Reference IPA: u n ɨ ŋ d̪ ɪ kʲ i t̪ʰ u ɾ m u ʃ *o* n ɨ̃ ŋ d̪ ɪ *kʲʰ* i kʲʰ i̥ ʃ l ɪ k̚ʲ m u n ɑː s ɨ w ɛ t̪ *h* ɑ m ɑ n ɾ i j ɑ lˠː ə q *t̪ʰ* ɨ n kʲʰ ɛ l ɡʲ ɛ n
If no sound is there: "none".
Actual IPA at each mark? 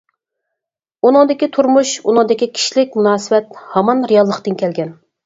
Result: u, kʲ, h, t̪

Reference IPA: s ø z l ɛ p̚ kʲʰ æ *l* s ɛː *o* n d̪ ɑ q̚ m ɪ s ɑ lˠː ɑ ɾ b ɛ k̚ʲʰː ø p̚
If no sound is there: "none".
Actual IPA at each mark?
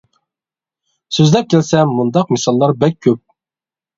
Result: l, u

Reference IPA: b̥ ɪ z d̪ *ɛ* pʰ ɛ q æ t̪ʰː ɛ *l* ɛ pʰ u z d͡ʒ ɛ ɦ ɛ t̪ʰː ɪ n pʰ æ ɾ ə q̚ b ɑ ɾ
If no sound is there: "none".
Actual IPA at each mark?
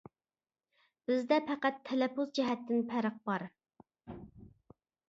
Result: ɛ, l

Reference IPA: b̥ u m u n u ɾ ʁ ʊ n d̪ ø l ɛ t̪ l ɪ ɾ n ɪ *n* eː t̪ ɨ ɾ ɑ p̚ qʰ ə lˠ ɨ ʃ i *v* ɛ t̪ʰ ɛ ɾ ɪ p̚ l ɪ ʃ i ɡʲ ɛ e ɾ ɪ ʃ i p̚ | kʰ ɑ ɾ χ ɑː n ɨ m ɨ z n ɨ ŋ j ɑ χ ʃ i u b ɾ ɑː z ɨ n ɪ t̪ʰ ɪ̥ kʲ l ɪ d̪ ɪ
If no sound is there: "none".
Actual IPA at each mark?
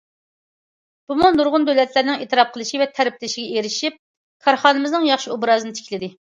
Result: ŋ, v

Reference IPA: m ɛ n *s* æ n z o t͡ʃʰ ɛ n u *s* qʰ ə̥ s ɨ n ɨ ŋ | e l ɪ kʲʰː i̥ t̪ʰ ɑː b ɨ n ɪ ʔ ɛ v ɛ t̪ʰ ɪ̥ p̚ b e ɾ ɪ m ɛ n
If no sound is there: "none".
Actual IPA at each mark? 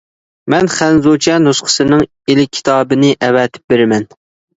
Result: χ, s

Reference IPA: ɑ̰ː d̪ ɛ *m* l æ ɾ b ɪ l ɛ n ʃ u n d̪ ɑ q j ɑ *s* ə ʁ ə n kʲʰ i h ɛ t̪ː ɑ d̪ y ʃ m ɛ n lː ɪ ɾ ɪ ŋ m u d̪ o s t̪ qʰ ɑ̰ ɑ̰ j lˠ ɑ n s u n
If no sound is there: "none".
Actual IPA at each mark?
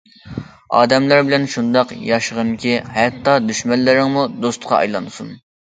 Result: m, ʃ

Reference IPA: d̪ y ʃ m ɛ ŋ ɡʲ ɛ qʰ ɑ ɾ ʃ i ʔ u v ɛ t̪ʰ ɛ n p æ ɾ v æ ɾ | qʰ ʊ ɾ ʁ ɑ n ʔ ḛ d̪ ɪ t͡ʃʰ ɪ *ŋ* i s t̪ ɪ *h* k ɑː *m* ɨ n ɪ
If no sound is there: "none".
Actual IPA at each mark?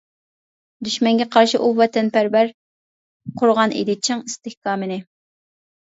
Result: ŋ, h, m

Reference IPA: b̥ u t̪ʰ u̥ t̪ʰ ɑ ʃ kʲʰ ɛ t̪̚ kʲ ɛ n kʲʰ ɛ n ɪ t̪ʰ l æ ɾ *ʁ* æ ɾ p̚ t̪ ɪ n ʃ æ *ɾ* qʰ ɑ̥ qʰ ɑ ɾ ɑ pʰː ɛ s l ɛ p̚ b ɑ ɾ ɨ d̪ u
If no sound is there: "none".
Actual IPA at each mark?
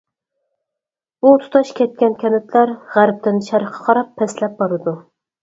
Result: ʁ, ɾ

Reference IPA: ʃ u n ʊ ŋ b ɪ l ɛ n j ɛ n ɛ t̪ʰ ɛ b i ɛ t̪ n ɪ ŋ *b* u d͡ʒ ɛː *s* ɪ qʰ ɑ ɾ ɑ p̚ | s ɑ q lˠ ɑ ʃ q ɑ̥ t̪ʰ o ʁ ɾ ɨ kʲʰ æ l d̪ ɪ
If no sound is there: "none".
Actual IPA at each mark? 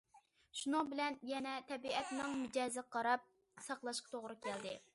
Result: m, z

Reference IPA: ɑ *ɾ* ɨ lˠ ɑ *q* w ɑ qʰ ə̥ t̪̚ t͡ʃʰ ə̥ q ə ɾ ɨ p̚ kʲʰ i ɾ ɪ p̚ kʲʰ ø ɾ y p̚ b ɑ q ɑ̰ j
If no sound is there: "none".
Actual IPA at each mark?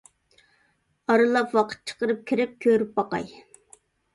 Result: ɾ, p

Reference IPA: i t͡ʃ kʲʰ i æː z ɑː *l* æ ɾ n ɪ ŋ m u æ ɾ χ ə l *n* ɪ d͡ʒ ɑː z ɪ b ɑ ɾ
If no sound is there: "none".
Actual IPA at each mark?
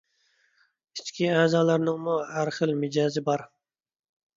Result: l, m

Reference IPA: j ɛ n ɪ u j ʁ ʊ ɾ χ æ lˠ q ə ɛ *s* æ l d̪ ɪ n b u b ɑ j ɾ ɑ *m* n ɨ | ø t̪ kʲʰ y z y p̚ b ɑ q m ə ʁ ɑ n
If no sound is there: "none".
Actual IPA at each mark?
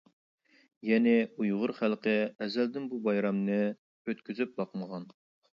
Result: z, m

